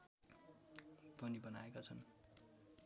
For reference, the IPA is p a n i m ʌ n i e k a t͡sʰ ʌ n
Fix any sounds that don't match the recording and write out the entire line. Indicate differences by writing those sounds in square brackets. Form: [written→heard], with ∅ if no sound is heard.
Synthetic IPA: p [a→ʌ] n i [m→b] ʌ n [i→a] e k a t͡sʰ ʌ n